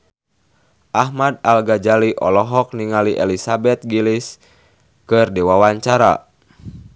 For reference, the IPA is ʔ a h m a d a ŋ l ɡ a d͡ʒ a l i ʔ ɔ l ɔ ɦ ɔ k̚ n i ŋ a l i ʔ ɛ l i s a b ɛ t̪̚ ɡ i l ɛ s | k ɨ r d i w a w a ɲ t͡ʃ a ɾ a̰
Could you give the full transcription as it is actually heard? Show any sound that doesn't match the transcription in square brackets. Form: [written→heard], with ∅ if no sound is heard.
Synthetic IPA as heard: ʔ a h m a d a [ŋ→∅] l ɡ a d͡ʒ a l i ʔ ɔ l ɔ ɦ ɔ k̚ n i ŋ a l i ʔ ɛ l i s a b ɛ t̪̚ ɡ i l [ɛ→i] s | k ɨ r d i w a w a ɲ t͡ʃ a ɾ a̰

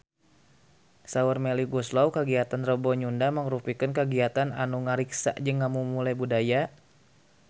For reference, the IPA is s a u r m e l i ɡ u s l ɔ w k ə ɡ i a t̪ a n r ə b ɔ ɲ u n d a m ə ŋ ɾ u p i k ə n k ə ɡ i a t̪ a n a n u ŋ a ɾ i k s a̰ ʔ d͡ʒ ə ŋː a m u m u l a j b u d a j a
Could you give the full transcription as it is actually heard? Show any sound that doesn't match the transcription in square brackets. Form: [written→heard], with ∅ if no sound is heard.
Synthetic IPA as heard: s a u r m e l i ɡ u s l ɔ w k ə ɡ i a t̪ a n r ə b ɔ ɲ u n d a m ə ŋ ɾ u p i k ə n k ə ɡ i a t̪ a n a n u ŋ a ɾ i k s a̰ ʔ d͡ʒ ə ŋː a m u m u l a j b u d a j a

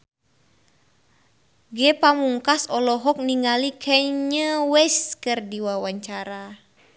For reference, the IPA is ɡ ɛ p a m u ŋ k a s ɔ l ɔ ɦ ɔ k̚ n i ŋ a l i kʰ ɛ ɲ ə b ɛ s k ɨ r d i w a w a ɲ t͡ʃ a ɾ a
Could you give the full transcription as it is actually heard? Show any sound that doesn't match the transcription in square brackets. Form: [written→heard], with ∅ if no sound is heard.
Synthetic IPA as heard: ɡ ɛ p a m u ŋ k a s ɔ l ɔ ɦ ɔ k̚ n i ŋ a l i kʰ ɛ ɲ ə [b→w] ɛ s k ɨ r d i w a w a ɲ t͡ʃ a ɾ a

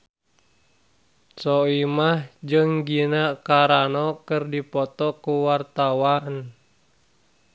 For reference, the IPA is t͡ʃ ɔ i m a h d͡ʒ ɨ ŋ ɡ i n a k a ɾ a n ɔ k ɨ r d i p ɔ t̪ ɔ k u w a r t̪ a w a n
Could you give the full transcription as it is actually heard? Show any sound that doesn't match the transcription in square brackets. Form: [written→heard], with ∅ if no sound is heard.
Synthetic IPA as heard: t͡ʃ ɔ i m a h d͡ʒ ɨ ŋ ɡ i n a k a ɾ a n ɔ k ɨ r d i p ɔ t̪ ɔ k u w a r t̪ a w a n

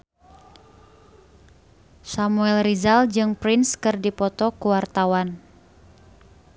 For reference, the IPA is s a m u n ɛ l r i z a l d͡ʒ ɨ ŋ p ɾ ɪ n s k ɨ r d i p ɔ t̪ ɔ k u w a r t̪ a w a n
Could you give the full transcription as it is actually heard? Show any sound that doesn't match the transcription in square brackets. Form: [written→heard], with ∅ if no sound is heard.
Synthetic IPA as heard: s a m u [n→∅] ɛ l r i z a l d͡ʒ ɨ ŋ p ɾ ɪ n s k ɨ r d i p ɔ t̪ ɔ k u w a r t̪ a w a n

